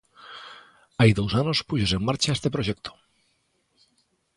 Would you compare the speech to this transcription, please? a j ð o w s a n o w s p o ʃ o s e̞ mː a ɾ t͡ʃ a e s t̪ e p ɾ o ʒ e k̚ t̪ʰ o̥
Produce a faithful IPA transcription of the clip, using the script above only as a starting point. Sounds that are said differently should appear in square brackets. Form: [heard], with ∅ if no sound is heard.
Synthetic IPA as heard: a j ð o w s a n o [∅] s p [u] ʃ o s e̞ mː a ɾ t͡ʃ a e s t̪ e p ɾ o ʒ e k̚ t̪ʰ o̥